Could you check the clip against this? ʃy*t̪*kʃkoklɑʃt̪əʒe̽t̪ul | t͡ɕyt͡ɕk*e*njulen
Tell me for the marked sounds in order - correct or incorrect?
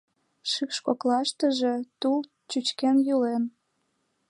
incorrect, correct

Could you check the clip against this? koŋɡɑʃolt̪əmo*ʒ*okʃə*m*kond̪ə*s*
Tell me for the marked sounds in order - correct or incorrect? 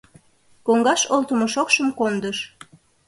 incorrect, correct, incorrect

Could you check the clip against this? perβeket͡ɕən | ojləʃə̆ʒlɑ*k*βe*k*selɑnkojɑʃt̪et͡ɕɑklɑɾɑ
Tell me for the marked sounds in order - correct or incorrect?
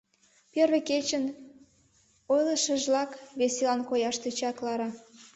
correct, incorrect

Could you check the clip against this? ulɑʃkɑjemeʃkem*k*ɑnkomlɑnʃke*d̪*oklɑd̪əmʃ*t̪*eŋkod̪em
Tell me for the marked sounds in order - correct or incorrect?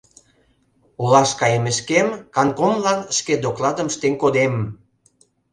correct, correct, correct

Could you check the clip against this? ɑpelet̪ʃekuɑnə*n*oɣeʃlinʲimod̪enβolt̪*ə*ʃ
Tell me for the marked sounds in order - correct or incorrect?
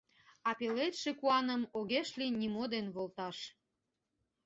incorrect, incorrect

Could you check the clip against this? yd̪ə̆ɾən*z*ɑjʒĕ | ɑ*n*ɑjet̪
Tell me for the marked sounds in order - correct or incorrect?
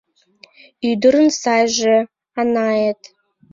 incorrect, correct

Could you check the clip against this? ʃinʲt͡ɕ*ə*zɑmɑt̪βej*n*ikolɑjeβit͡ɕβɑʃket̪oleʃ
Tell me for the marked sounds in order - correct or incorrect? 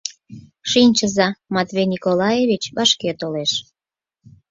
correct, correct

